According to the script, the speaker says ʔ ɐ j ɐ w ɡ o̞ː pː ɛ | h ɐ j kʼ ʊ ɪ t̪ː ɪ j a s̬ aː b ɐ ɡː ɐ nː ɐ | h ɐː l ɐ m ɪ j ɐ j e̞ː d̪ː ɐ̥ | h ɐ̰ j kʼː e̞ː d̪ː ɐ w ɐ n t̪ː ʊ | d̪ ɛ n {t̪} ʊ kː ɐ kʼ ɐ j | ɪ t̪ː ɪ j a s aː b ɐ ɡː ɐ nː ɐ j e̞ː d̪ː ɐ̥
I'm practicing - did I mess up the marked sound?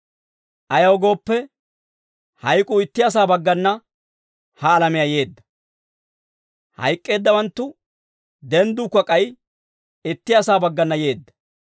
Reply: yes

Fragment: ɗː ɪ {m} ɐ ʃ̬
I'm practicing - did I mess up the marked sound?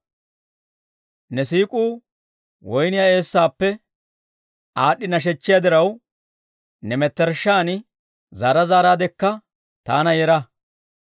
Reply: yes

